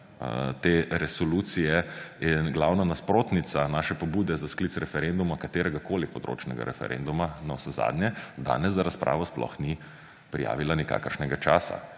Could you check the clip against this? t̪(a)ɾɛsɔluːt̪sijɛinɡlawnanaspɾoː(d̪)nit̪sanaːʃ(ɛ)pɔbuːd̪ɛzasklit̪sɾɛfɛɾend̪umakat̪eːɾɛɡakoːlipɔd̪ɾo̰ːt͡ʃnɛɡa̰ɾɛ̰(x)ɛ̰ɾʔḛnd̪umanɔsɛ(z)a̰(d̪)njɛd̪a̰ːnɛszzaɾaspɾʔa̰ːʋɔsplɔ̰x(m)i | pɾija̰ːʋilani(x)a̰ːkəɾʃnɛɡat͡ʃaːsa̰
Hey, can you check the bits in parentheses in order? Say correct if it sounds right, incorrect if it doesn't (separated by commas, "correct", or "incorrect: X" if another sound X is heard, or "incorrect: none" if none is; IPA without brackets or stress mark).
incorrect: e, incorrect: t̪, correct, incorrect: f, correct, correct, incorrect: n, incorrect: k